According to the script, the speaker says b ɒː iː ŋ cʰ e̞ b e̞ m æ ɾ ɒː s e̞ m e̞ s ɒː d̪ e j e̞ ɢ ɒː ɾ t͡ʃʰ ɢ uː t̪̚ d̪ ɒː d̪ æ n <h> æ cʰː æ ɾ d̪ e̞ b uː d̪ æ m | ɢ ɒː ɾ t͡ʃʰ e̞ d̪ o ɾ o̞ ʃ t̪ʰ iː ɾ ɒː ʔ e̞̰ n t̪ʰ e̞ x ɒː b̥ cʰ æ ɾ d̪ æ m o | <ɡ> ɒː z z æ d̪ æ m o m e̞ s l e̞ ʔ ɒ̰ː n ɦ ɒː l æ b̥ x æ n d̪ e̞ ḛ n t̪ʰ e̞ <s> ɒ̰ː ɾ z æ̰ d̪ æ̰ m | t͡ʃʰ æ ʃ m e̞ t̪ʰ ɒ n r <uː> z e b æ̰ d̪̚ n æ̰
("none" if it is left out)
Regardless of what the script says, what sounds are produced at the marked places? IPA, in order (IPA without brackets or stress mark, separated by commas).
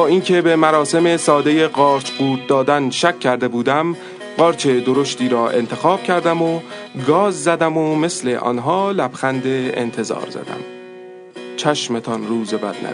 ʃ, ɡ, z, uː